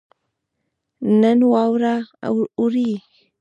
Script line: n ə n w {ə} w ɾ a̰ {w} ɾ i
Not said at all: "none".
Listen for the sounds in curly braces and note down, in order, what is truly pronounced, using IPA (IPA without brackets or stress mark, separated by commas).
a, u